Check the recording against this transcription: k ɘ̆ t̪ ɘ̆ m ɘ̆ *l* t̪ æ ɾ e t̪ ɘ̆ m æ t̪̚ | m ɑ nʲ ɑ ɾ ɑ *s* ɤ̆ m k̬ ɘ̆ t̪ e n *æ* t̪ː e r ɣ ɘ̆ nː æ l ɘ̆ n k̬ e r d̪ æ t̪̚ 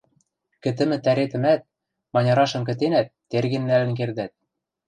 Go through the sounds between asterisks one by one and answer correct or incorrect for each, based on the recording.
incorrect: none, incorrect: ʃ, correct

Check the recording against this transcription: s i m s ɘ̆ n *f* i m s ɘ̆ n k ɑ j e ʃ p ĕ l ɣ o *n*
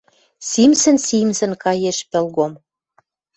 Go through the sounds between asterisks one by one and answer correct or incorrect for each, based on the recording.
incorrect: s, incorrect: m

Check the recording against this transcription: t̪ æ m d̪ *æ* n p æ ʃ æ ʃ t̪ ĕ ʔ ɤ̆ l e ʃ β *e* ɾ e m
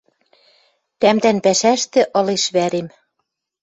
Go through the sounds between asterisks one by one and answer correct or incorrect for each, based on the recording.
correct, incorrect: æ

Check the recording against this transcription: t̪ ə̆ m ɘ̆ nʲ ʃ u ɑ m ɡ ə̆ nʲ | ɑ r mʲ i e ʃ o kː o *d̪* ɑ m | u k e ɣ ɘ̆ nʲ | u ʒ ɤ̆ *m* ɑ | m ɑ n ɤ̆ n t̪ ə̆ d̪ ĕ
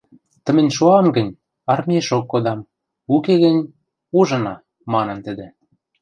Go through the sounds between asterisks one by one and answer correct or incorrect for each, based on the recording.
correct, incorrect: n

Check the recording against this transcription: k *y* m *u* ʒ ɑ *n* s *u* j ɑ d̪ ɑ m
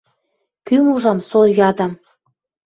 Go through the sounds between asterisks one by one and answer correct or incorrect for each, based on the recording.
correct, correct, incorrect: m, incorrect: o

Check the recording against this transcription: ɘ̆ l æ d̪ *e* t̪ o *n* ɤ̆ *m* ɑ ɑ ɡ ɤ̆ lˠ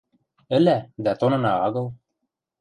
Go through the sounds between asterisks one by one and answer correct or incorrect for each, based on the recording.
incorrect: æ, correct, incorrect: n

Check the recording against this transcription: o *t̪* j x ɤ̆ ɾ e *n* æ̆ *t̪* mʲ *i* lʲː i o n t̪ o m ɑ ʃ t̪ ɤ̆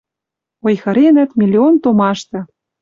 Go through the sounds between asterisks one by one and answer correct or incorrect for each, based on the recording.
incorrect: none, correct, correct, correct

